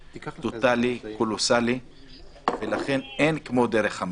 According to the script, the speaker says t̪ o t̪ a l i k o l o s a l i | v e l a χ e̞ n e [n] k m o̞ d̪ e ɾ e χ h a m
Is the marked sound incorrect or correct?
correct